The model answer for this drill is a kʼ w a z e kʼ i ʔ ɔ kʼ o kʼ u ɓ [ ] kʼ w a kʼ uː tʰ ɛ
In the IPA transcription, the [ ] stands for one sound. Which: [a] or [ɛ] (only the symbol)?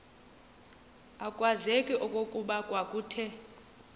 a